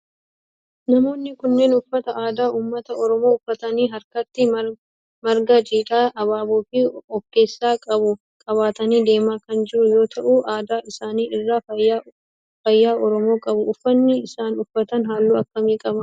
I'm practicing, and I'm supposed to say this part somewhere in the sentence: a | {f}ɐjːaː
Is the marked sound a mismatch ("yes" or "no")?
no